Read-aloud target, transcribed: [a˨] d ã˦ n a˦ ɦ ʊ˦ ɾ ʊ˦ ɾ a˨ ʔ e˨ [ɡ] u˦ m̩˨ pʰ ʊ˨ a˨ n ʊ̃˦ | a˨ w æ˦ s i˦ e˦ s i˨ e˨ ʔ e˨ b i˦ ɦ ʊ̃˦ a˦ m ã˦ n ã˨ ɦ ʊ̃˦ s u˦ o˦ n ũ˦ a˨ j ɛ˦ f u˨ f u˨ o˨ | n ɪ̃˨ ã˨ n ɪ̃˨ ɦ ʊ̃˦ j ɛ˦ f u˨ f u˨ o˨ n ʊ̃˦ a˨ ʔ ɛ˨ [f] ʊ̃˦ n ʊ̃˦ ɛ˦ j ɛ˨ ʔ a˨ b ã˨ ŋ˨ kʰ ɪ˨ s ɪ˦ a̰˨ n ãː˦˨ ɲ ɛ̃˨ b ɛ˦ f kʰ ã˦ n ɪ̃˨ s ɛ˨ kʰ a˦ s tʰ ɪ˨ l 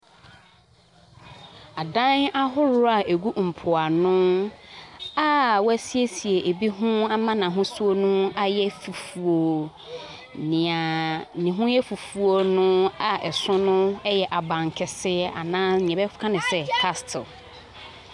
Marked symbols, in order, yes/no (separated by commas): yes, yes, no